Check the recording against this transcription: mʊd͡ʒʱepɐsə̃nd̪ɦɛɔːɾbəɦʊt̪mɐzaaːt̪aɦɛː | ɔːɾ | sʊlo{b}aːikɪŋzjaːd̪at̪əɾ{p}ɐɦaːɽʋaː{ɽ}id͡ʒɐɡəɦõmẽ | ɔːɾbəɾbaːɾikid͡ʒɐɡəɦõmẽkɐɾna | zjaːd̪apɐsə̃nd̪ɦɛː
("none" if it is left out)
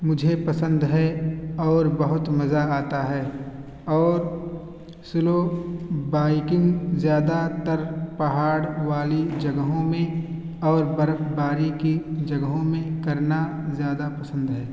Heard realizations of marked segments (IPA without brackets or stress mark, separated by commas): b, p, l